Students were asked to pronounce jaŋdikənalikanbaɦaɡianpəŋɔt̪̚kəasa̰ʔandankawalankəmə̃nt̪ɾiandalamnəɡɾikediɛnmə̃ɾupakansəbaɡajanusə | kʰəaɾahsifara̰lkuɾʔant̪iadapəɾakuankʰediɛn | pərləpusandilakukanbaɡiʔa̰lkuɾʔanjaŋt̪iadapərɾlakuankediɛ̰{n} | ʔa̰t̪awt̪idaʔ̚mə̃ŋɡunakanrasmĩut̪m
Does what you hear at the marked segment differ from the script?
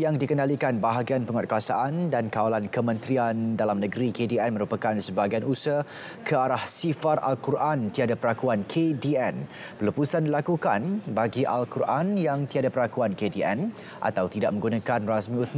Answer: no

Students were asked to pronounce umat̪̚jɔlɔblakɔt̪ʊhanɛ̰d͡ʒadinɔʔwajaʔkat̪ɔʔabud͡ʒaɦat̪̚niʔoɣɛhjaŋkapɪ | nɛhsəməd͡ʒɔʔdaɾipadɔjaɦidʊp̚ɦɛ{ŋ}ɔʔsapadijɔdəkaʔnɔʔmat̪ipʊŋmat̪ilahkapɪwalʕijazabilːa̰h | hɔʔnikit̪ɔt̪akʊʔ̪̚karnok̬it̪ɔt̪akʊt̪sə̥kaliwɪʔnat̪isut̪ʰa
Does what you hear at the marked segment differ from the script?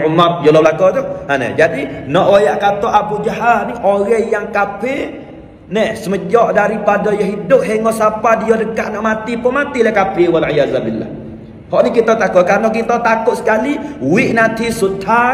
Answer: no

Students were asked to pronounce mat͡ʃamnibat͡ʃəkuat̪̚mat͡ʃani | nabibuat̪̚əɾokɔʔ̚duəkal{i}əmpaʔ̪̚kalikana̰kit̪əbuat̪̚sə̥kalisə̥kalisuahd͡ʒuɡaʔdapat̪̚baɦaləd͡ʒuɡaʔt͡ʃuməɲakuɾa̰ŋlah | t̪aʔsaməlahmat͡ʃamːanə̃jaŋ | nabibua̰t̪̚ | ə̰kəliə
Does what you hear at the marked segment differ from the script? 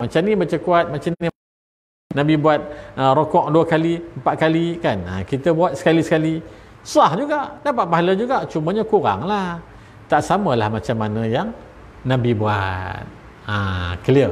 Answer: no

